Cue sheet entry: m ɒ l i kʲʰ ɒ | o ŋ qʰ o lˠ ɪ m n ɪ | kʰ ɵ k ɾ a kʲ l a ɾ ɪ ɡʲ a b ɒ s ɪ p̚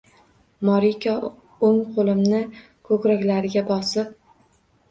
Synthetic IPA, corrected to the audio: m ɒ ɾ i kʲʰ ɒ | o ŋ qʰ o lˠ ɪ m n ɪ | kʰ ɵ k ɾ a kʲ l a ɾ ɪ ɡʲ a b ɒ s ɪ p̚